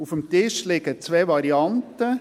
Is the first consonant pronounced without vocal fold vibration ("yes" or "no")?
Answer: yes